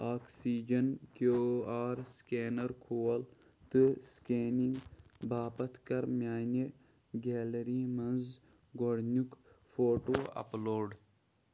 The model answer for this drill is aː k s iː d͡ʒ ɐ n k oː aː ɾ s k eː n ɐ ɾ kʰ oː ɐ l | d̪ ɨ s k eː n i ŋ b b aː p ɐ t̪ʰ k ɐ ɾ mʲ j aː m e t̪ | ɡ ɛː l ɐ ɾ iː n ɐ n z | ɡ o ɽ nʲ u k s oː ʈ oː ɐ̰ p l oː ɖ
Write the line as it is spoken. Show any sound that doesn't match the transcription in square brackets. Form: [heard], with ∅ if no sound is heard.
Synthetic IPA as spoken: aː k s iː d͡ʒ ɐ n k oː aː ɾ s k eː n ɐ ɾ kʰ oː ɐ l | [t̪] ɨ s k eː n i ŋ [ɡ] b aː p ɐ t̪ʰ k ɐ ɾ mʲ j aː [n] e [∅] | ɡ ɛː l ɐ ɾ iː [m] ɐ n z | ɡ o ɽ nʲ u k [f] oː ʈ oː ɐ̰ p l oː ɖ